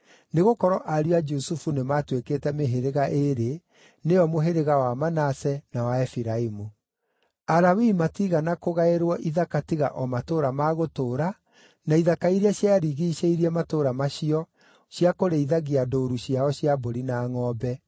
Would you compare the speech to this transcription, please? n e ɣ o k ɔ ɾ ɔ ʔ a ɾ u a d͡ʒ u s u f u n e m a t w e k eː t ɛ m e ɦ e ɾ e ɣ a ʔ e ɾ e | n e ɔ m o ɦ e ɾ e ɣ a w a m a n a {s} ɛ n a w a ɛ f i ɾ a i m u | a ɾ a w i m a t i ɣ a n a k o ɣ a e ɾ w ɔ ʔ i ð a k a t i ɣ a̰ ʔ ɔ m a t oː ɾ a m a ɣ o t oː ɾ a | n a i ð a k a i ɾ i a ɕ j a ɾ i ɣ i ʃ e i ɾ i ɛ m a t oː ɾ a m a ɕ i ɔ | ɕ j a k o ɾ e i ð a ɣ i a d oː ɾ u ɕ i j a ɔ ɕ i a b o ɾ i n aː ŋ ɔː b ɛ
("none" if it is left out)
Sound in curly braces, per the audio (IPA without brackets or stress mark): s